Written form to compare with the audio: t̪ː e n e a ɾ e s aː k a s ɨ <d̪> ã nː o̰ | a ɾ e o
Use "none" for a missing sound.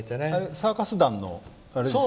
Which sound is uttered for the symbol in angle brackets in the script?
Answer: d̪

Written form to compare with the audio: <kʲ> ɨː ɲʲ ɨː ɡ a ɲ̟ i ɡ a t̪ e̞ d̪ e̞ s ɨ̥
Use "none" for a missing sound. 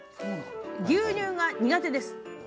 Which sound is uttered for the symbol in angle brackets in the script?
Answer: ɡʲ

